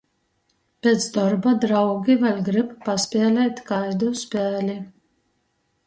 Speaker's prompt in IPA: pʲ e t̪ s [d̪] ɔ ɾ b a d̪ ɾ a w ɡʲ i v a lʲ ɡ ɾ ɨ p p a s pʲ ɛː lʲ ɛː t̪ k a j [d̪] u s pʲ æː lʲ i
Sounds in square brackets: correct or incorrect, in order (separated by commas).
correct, correct